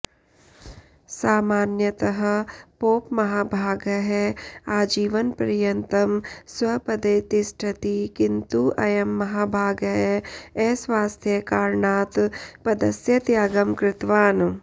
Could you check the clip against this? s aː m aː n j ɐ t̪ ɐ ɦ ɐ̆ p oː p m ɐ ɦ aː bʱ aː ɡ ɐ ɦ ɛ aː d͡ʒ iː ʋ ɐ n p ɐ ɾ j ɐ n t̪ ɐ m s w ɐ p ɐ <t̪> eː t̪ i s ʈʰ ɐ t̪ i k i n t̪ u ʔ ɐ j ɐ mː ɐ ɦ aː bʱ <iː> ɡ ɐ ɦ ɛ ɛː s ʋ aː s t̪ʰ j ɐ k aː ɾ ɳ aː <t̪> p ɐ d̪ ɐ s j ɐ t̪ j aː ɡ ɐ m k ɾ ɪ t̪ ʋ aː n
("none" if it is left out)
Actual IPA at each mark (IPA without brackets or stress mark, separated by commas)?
d̪, aː, t̪